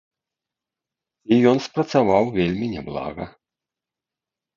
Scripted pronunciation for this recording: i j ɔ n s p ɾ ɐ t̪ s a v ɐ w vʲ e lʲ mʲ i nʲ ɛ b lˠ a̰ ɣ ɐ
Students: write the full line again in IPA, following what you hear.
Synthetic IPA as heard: i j ɔ n s p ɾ ɐ t̪ s a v a w vʲ e lʲ mʲ i nʲ ɛ b lˠ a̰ ɣ ɐ